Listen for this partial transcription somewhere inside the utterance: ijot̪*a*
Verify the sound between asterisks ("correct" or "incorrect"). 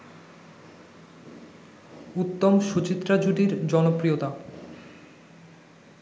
correct